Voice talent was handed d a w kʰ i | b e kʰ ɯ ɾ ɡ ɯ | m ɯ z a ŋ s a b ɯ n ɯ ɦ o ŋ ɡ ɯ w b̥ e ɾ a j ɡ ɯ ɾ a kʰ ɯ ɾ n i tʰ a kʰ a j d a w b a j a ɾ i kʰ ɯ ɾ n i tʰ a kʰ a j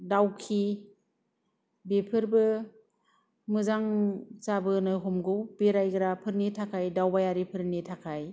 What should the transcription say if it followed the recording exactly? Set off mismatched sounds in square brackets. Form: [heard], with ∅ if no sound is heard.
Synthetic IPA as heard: d a w kʰ i | b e [pʰ] ɯ ɾ [b] ɯ | m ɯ z a ŋ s a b ɯ n ɯ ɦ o [m] ɡ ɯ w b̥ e ɾ a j ɡ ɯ ɾ a [pʰ] ɯ ɾ n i tʰ a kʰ a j d a w b a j a ɾ i [pʰ] ɯ ɾ n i tʰ a kʰ a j